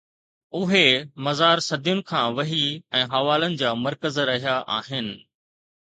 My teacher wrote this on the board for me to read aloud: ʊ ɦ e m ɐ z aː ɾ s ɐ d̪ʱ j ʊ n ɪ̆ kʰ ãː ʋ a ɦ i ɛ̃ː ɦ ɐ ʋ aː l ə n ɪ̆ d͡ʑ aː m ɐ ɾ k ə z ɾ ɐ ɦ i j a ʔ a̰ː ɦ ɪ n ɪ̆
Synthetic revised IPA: ʊ ɦ e m ɐ z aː ɾ s ɐ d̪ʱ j ʊ n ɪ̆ kʰ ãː ʋ ɐ ɦ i ɛ̃ː ɦ ɐ ʋ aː l ə n ɪ̆ d͡ʑ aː m ɐ ɾ k ə z ɾ ɐ ɦ i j a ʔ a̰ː ɦ ɪ n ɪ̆